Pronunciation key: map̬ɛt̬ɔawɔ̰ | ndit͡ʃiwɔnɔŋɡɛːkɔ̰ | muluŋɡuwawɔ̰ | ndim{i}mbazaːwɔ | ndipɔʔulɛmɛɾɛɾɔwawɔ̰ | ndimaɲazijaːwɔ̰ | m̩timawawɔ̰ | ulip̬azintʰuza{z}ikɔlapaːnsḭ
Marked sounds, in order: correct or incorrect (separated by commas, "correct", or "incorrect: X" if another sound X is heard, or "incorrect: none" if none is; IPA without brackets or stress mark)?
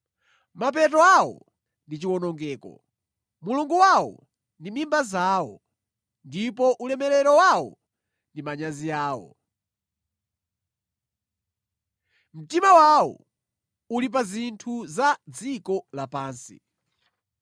correct, incorrect: d͡z